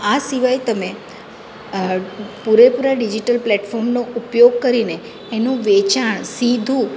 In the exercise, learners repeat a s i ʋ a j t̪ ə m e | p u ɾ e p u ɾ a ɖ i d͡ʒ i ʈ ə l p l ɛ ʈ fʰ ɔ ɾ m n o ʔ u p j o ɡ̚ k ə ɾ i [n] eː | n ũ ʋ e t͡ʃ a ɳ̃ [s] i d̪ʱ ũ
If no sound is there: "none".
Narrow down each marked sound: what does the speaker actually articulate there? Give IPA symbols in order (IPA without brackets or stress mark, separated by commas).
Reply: n, s